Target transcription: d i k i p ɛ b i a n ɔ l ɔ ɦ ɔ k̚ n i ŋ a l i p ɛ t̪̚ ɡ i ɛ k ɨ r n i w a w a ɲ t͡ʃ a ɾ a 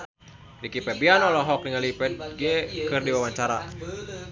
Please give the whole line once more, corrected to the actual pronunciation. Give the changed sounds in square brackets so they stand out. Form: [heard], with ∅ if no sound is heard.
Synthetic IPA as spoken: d i k i p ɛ b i a n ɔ l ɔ ɦ ɔ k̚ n i ŋ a l i p ɛ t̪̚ ɡ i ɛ k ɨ r [d] i w a w a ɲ t͡ʃ a ɾ a